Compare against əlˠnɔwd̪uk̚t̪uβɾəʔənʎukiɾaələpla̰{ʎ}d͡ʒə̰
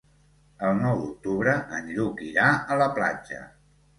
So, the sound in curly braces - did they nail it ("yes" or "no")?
no